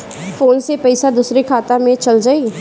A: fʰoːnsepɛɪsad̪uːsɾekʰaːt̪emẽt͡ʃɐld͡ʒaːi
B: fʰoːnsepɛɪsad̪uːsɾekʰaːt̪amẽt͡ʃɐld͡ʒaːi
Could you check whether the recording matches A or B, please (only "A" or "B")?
B